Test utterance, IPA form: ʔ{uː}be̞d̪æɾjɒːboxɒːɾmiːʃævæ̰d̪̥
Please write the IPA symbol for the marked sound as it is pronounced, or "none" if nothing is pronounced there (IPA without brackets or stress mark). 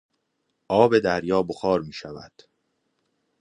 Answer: ɒː